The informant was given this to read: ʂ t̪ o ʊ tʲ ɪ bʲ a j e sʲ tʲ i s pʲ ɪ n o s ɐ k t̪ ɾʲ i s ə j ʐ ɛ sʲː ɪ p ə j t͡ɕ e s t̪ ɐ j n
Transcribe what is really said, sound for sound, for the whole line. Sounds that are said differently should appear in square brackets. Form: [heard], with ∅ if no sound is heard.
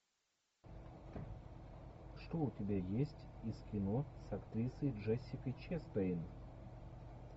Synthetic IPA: ʂ t̪ o ʊ tʲ ɪ bʲ a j e sʲ tʲ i s [kʲ] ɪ n o s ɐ k t̪ ɾʲ i s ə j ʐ ɛ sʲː ɪ [k] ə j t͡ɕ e s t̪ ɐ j n